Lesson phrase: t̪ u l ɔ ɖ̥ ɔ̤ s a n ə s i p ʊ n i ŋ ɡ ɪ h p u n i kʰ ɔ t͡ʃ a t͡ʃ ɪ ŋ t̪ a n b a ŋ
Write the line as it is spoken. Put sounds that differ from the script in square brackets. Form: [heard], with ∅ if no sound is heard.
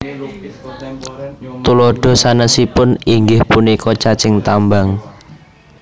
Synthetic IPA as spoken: t̪ u l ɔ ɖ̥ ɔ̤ s a n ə s i p ʊ n i ŋ ɡ ɪ h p u n i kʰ ɔ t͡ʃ a t͡ʃ ɪ ŋ t̪ a [m] b a ŋ